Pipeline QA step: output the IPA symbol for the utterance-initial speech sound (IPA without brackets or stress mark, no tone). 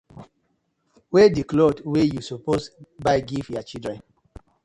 w